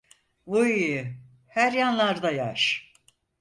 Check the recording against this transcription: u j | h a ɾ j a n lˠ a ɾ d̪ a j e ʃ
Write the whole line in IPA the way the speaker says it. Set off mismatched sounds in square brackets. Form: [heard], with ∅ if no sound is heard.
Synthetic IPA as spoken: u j | h [æ] ɾ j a n lˠ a ɾ d̪ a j [a] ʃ

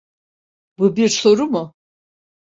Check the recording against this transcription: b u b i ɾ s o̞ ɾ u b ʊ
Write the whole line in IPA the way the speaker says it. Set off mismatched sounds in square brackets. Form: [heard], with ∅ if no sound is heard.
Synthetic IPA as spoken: b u b i ɾ s o̞ ɾ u [m] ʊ

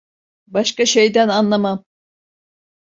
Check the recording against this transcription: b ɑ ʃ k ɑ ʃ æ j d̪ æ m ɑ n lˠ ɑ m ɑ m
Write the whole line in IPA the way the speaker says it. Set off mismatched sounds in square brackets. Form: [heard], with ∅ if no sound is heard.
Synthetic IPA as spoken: b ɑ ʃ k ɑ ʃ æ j d̪ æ [n] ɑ n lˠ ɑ m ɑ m

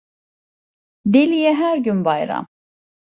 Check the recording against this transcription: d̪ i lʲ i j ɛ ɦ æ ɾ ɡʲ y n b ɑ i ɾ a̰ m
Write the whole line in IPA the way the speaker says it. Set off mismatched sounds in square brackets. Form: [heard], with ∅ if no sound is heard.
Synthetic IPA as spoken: d̪ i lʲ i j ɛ ɦ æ ɾ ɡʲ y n b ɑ [j] ɾ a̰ m

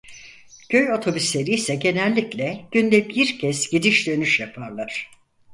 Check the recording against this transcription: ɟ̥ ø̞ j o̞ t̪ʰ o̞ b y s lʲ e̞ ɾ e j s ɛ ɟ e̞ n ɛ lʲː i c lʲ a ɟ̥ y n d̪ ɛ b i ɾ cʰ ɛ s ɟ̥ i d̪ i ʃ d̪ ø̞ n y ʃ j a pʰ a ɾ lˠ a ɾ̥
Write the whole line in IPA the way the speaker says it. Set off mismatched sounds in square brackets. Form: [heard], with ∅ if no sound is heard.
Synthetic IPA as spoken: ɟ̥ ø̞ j o̞ t̪ʰ o̞ b y s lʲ e̞ ɾ [i] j s ɛ ɟ e̞ n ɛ lʲː i c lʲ [ɛ] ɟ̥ y n d̪ ɛ b i ɾ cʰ ɛ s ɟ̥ i d̪ i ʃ d̪ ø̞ n y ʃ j a pʰ a ɾ lˠ a ɾ̥

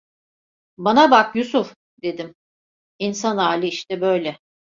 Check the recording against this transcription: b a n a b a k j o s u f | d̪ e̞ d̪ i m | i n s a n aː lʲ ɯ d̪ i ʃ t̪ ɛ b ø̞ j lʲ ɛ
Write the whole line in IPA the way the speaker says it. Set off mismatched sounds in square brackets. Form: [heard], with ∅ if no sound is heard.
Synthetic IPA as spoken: b a n a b a k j [u] s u f | d̪ e̞ d̪ i m | i n s a n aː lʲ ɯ [∅] i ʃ t̪ ɛ b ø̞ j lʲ ɛ

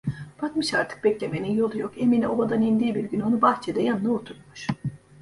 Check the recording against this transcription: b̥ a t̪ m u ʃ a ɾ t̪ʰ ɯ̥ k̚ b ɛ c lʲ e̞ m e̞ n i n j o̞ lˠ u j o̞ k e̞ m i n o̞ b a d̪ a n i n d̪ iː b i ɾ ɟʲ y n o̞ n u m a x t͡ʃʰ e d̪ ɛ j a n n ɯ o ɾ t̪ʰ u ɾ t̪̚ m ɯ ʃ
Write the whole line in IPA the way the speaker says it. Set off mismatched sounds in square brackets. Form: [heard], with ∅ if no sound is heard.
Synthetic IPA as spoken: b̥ a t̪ m [ɯ] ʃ a ɾ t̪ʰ ɯ̥ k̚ b ɛ c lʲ e̞ m e̞ n i n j o̞ lˠ u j o̞ k e̞ m i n o̞ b a d̪ a n i n d̪ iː b i ɾ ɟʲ y n o̞ n u [b] a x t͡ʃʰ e d̪ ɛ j a n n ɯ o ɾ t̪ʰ u ɾ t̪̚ m [u] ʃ

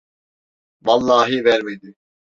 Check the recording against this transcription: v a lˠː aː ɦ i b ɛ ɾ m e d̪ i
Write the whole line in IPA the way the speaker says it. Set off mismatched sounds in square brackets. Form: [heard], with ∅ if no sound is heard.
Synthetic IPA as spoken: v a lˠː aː ɦ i [v] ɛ ɾ m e d̪ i

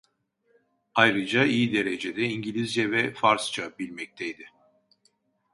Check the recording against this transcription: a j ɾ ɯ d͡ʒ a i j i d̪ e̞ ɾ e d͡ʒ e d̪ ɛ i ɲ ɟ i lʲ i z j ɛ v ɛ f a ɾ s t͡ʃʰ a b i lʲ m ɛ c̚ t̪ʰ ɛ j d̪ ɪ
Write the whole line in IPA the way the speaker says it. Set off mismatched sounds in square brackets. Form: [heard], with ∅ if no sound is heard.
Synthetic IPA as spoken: a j ɾ ɯ d͡ʒ a i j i d̪ e̞ ɾ e d͡ʒ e d̪ ɛ i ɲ ɟ i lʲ i z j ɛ v ɛ f a ɾ s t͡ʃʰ a b i lʲ m ɛ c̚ t̪ʰ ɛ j d̪ ɪ

